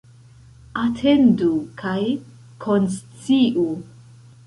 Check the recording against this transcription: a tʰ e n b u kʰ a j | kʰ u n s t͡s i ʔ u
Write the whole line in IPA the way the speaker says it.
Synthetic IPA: a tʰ e n d u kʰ a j | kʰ o n s t͡s i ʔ u